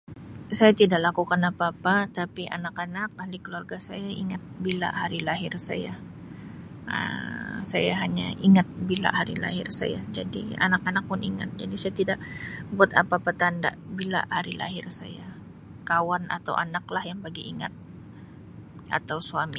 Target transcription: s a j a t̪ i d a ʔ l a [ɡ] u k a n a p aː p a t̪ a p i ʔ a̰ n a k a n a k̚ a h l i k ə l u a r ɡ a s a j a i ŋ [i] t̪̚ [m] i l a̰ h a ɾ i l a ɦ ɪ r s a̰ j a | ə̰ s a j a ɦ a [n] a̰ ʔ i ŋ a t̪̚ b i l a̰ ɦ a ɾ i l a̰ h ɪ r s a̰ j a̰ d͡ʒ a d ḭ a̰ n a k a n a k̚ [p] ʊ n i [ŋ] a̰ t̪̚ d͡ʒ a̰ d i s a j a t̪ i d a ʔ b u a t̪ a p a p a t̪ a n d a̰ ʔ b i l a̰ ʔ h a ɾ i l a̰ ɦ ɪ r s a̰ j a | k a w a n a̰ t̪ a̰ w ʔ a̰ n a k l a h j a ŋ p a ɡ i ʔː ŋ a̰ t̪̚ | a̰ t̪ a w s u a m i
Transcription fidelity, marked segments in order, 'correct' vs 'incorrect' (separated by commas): incorrect, incorrect, incorrect, incorrect, correct, correct